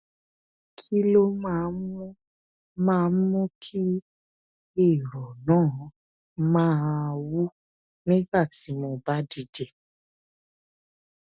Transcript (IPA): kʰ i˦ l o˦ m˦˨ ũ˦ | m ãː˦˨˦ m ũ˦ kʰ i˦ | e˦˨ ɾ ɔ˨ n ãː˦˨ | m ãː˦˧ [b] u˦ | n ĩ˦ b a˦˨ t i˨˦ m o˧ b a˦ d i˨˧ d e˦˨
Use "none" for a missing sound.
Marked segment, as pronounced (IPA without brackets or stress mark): w